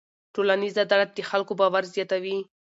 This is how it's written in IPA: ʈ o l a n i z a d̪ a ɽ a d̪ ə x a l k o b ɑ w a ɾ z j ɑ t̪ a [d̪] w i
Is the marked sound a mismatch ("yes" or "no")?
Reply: yes